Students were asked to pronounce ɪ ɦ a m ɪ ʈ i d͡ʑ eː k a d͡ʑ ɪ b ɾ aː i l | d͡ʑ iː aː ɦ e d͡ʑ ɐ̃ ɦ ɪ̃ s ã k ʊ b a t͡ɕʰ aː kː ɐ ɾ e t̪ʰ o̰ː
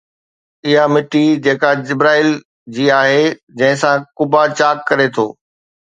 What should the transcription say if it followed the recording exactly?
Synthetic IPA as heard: ɪ ɦ a m ɪ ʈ i d͡ʑ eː k a d͡ʑ ɪ b ɾ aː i l | d͡ʑ iː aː ɦ e d͡ʑ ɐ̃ ɦ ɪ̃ s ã k ʊ b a t͡ɕ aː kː ɐ ɾ e t̪ʰ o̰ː